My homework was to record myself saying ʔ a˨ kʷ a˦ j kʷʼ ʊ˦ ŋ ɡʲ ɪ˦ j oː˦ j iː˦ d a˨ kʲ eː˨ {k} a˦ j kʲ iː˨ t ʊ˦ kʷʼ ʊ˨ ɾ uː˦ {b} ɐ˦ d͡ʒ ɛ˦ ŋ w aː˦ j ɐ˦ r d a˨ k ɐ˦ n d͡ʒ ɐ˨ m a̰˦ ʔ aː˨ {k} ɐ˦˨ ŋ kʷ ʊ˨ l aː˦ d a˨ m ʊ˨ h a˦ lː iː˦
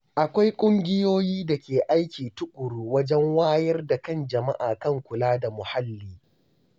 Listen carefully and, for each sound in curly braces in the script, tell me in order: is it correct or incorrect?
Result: incorrect: ʔ, incorrect: w, correct

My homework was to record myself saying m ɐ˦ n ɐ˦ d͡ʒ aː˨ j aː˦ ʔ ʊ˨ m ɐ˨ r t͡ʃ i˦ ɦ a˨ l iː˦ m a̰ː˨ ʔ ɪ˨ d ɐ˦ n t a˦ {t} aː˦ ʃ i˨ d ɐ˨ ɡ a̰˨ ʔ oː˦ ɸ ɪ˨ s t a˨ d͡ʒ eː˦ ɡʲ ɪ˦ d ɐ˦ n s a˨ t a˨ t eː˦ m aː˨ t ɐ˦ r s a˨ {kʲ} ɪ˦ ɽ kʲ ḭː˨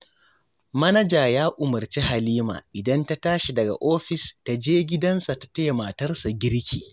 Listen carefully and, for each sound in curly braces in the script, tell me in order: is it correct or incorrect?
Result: correct, incorrect: ɡʲ

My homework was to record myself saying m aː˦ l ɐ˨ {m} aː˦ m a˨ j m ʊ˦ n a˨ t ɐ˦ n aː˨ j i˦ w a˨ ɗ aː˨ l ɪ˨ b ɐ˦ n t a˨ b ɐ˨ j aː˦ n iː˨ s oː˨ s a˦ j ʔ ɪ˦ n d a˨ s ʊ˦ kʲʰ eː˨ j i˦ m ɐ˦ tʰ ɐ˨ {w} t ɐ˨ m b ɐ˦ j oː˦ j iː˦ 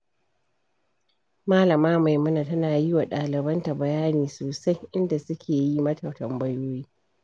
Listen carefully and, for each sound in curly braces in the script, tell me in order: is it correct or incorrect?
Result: correct, correct

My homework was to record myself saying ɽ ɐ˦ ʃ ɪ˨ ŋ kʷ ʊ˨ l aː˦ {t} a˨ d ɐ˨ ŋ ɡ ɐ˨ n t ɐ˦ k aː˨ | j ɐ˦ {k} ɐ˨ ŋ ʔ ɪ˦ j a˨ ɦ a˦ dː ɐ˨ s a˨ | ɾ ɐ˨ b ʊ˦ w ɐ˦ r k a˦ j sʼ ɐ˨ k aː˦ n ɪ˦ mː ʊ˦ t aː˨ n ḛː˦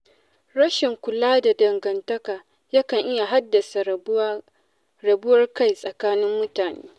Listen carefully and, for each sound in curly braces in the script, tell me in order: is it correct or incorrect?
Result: incorrect: d, correct

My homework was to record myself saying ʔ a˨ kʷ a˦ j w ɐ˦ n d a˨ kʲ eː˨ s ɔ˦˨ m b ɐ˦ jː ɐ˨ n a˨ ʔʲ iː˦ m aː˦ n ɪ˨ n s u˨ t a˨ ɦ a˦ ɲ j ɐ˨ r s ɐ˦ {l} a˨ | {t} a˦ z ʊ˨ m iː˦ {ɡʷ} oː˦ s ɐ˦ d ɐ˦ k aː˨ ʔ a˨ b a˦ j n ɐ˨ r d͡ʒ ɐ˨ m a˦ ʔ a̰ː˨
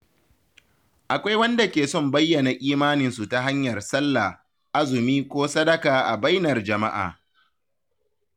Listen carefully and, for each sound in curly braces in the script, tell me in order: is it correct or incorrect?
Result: incorrect: lː, incorrect: ʔ, incorrect: kʷ

